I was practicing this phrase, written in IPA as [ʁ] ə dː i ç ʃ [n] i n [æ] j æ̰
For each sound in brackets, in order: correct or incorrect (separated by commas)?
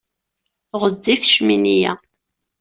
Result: correct, incorrect, incorrect